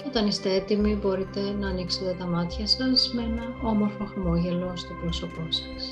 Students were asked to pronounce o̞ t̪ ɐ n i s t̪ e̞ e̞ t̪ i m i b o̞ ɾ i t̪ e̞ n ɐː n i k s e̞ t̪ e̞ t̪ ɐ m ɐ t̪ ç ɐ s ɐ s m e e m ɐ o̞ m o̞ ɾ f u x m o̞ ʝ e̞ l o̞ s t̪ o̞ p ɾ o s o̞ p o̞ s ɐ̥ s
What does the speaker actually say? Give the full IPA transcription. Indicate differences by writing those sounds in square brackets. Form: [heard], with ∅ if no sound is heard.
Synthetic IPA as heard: o̞ t̪ ɐ n i s t̪ e̞ e̞ t̪ i m i b o̞ ɾ i t̪ e̞ n ɐː n i k s e̞ t̪ e̞ t̪ ɐ m ɐ t̪ ç ɐ s ɐ s m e e [n] ɐ o̞ m o̞ ɾ f [o] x m o̞ ʝ e̞ l o̞ s t̪ o̞ p ɾ o s o̞ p o̞ s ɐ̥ s